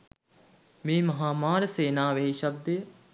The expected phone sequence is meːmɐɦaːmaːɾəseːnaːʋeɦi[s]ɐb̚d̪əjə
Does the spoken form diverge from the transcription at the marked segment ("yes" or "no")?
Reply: yes